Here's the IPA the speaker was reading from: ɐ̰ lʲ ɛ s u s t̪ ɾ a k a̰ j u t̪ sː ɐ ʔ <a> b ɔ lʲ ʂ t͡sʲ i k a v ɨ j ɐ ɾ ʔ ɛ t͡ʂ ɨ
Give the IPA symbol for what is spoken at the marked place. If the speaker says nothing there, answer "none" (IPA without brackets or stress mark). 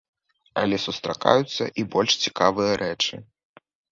i